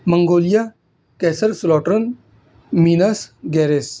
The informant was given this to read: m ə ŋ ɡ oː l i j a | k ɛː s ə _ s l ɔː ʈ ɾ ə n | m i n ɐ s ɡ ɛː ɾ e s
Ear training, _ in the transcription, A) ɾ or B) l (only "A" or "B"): A